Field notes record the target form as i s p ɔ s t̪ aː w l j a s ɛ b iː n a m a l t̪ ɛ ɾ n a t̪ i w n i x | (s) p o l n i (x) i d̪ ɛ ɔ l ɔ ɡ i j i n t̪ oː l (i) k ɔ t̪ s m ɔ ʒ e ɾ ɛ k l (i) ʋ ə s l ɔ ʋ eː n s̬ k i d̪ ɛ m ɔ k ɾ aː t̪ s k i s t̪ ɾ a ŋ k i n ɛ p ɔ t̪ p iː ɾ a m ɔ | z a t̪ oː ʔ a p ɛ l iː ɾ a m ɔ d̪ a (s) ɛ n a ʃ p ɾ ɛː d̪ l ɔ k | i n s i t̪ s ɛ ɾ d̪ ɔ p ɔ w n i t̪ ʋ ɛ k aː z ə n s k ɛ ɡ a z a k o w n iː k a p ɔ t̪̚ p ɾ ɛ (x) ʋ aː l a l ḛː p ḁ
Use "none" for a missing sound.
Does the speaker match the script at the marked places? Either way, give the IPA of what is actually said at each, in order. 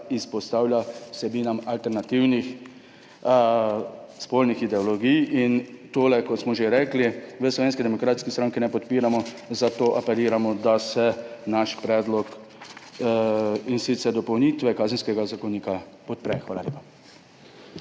s, x, ɛ, i, s, x

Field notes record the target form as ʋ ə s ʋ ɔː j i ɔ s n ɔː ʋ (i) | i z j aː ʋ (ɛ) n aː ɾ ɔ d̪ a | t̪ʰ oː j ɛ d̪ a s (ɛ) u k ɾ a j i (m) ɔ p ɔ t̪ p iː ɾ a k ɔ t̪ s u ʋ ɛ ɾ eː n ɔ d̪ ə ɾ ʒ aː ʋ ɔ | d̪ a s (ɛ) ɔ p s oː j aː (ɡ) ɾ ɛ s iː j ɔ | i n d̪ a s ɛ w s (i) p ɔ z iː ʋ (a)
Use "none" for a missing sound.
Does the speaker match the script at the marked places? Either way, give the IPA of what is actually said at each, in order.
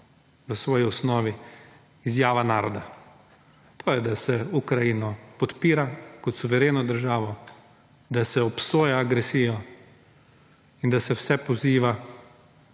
i, a, ɛ, n, ɛ, ɡ, ɛ, a

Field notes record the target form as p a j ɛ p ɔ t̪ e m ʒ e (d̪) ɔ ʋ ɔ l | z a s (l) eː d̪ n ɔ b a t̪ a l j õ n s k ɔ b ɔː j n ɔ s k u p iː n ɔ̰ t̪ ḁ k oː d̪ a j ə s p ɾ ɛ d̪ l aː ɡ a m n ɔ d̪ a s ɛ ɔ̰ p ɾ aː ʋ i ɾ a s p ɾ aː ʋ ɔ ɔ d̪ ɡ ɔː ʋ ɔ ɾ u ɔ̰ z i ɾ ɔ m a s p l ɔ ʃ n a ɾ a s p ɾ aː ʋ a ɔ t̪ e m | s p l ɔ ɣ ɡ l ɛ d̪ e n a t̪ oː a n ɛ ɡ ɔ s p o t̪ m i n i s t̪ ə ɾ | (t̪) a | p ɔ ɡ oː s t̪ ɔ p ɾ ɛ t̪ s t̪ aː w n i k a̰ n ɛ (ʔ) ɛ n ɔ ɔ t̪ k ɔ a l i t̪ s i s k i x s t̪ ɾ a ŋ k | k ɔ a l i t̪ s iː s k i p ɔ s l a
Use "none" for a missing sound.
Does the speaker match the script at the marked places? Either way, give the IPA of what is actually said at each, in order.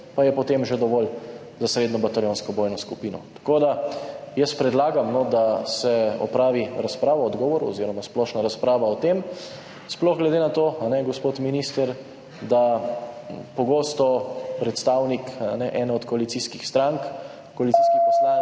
d̪, ɾ, d̪, ʔ

